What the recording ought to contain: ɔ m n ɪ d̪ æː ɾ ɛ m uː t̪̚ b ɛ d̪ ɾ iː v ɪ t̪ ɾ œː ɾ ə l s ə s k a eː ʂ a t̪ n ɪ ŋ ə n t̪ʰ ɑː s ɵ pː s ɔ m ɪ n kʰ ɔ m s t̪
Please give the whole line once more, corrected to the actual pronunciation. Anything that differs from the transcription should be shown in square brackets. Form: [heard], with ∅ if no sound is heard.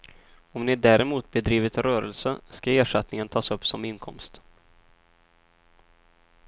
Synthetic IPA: ɔ m n ɪ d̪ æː ɾ ɛ m uː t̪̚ b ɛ d̪ ɾ iː v ɪ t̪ ɾ œː ɾ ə l s ə s k a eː ʂ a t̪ n ɪ ŋ ə n t̪ʰ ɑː s ɵ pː s ɔ m ɪ n kʰ ɔ m s t̪

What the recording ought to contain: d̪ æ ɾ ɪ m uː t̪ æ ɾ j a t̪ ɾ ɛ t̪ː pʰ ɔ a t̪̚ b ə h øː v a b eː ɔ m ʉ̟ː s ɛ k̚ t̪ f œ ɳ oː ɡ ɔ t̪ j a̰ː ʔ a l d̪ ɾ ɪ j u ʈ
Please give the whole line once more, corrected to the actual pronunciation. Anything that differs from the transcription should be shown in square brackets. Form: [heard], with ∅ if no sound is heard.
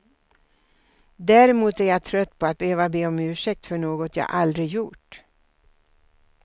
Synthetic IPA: d̪ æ ɾ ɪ m uː t̪ æ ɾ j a [t̪ʰ] ɾ [œ] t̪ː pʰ ɔ a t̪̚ b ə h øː v a b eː ɔ m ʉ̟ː [ʂ] ɛ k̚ t̪ f œ ɳ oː ɡ ɔ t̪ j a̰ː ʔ a l d̪ ɾ ɪ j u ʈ

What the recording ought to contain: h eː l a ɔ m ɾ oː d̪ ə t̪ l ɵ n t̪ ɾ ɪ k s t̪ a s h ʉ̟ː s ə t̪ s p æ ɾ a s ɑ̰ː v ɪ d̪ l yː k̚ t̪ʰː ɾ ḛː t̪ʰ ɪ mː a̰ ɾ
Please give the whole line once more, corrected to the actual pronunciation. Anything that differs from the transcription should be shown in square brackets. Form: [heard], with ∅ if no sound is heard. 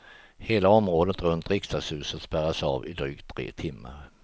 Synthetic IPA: h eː l a ɔ m ɾ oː d̪ ə t̪ [ɾ] ɵ n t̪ ɾ ɪ k s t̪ a s h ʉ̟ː s ə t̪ s p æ ɾ a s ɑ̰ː v ɪ d̪ [ɾ] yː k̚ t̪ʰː ɾ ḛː t̪ʰ ɪ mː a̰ ɾ

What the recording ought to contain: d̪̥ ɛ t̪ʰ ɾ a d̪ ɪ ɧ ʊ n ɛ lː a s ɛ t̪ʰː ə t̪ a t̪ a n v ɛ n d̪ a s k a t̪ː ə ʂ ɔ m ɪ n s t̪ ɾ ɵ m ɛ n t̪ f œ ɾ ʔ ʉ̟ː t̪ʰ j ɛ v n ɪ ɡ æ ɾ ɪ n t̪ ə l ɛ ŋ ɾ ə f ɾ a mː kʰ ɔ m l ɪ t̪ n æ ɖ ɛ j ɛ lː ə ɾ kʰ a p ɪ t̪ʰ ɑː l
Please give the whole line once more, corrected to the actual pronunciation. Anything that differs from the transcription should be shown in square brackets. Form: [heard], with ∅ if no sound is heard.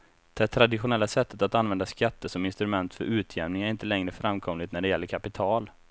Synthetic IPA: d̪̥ ɛ t̪ʰ ɾ a d̪ ɪ ɧ ʊ n ɛ lː a s ɛ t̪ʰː ə t̪ a t̪ a n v ɛ n d̪ a s k a t̪ː ə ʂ ɔ m ɪ n s t̪ ɾ ɵ m ɛ n t̪ f œ ɾ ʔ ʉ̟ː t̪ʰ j ɛ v n ɪ [ŋ] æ ɾ ɪ n t̪ ə l ɛ ŋ ɾ ə f ɾ a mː kʰ ɔ m l ɪ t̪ n æ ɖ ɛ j ɛ lː ə ɾ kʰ a p ɪ t̪ʰ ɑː l

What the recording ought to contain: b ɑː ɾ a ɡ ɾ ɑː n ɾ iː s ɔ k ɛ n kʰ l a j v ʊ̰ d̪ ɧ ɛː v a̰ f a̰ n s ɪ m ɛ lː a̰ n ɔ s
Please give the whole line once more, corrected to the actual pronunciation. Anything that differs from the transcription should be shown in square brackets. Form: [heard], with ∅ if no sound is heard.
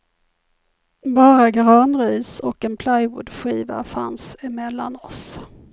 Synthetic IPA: b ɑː ɾ a ɡ ɾ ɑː n ɾ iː s ɔ k ɛ n [pʰ] l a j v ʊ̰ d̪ ɧ [iː] v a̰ f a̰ n s ɪ m ɛ lː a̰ n ɔ s

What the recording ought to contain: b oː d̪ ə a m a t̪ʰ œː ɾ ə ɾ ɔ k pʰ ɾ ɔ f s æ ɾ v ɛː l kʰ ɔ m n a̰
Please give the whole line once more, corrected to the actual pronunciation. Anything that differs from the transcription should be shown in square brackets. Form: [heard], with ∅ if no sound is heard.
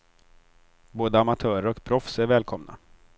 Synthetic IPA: b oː d̪ ə a m a t̪ʰ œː ɾ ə ɾ ɔ k pʰ ɾ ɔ f s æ ɾ v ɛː l kʰ ɔ m n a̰

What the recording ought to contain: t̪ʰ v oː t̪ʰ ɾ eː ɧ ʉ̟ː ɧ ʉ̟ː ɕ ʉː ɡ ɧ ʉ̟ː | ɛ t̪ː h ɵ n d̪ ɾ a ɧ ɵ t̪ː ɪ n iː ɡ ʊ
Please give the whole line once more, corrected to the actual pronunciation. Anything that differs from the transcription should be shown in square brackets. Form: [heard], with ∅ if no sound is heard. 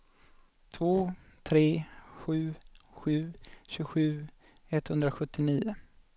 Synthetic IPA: t̪ʰ v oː t̪ʰ ɾ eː ɧ ʉ̟ː ɧ ʉ̟ː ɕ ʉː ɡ ɧ ʉ̟ː | ɛ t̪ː h ɵ n d̪ ɾ a ɧ ɵ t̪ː ɪ n iː [∅] ʊ

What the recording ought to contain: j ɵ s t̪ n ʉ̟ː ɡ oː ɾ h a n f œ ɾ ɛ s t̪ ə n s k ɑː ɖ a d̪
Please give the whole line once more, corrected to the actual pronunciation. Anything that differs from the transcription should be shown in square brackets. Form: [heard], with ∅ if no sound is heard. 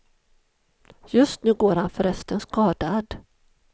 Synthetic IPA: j ɵ s t̪ n ʉ̟ː ɡ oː ɾ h a n f œ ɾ ɛ s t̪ ə n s k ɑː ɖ a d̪

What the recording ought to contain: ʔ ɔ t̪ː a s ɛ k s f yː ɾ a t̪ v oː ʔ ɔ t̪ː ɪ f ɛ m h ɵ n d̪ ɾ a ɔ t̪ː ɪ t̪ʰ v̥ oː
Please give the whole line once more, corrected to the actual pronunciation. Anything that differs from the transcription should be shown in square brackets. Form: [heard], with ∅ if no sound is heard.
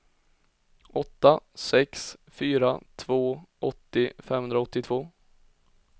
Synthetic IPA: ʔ ɔ t̪ː a s ɛ k s f yː ɾ a [t̪ʰ] v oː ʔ ɔ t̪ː ɪ f ɛ m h ɵ n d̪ ɾ a ɔ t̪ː ɪ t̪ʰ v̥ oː

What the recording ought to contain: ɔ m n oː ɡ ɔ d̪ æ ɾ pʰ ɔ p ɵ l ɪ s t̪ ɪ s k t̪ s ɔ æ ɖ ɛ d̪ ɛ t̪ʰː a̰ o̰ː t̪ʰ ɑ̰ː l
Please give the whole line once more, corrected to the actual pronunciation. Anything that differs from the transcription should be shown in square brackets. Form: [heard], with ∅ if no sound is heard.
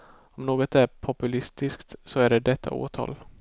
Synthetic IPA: ɔ m n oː ɡ ɔ [t̪] æ ɾ pʰ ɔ p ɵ l ɪ s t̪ ɪ s k t̪ s ɔ æ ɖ ɛ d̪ ɛ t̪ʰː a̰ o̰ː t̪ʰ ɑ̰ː l

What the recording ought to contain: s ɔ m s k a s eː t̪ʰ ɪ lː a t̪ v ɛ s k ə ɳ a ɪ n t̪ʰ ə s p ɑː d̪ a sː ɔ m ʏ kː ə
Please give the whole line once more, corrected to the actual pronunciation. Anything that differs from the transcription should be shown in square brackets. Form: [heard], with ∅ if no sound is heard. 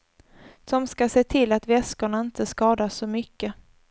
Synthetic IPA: s ɔ m s k a s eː t̪ʰ ɪ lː a t̪ v ɛ s k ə ɳ a ɪ n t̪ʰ ə s [k] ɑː d̪ a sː ɔ m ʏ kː ə

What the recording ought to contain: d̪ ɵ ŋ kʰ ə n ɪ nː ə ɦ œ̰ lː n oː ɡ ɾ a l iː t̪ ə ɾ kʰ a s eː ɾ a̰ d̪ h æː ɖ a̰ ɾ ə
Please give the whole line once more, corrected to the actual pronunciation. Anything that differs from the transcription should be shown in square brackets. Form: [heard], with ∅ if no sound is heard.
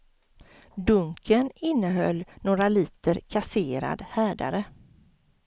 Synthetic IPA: d̪ ɵ ŋ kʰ ə n ɪ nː ə ɦ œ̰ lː n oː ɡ ɾ a l iː t̪ ə ɾ kʰ a s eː ɾ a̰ d̪ h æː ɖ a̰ ɾ ə

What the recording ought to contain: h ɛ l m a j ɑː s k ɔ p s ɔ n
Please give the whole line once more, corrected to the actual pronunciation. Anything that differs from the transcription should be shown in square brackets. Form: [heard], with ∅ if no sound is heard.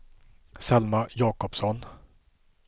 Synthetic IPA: [s] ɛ l m a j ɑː [∅] k ɔ p s ɔ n

